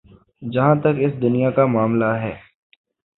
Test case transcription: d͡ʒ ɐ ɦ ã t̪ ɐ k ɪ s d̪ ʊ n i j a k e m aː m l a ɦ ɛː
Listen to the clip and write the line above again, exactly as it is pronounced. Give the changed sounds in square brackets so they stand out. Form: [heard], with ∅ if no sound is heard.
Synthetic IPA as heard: d͡ʒ ɐ ɦ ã t̪ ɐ k ɪ s d̪ ʊ n i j a k [a] m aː m l a ɦ ɛː